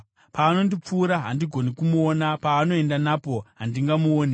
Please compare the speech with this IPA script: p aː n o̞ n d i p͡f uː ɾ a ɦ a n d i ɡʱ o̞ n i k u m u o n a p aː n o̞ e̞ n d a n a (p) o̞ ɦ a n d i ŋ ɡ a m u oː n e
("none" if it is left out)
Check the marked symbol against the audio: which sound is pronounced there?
p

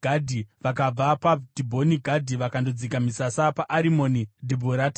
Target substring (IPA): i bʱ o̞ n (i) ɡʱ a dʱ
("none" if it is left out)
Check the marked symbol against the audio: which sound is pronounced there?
i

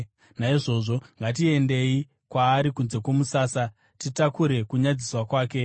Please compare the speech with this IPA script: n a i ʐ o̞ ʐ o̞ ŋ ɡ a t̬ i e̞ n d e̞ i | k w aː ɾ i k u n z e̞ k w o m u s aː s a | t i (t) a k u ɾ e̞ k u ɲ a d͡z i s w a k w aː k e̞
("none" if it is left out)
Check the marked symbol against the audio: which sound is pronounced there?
t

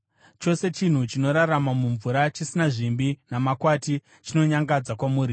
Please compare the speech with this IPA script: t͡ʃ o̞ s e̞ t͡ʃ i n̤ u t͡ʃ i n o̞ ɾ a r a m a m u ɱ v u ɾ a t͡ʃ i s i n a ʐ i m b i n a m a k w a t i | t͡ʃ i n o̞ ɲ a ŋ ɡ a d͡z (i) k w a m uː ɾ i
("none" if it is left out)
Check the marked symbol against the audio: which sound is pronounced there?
a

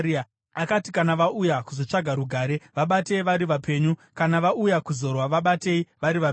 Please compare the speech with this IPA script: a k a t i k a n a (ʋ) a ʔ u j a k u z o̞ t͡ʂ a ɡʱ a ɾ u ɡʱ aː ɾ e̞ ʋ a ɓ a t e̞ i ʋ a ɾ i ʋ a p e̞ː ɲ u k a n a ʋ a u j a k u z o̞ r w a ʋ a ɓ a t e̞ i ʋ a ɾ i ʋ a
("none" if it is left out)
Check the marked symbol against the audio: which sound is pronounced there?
ʋ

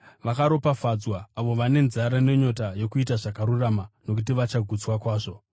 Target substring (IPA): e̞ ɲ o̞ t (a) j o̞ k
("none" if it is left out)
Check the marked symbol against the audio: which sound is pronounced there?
a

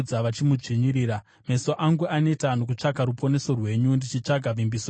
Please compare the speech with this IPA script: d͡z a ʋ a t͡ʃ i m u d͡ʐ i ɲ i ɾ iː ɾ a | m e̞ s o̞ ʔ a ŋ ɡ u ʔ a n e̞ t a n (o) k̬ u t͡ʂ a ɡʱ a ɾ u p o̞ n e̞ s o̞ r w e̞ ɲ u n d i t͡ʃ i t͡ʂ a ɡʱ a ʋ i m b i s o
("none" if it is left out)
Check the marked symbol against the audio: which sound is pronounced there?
o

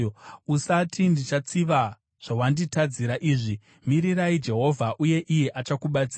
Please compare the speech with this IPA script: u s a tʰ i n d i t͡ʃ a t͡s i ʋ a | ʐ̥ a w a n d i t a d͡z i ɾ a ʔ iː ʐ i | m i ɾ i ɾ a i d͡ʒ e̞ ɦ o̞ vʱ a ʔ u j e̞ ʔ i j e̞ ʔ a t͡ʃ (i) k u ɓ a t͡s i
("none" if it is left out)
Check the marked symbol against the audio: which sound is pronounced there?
a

